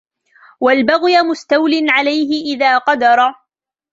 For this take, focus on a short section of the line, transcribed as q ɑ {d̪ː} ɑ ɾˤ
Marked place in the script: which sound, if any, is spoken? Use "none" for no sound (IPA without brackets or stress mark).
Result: d̪